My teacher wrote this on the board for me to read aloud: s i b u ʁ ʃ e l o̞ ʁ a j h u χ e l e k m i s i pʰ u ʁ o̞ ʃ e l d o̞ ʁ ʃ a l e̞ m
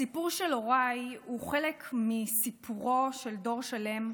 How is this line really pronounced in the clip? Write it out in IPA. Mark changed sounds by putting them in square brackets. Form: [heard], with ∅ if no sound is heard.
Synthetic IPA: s i [p] u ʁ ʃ e l o̞ ʁ a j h u χ e l e k m i s i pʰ u ʁ o̞ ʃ e l d o̞ ʁ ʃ a l e̞ m